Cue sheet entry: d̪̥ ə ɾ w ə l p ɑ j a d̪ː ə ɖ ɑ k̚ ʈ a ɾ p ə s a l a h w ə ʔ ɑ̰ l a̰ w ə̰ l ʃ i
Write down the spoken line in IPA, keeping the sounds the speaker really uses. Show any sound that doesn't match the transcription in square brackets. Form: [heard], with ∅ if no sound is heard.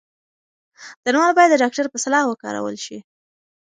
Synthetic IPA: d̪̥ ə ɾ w [ɑ] l [b] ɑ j a d̪ː ə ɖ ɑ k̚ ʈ a ɾ p ə s a l [ɑ] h w ə [k] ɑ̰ [ɾ] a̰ w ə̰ l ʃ i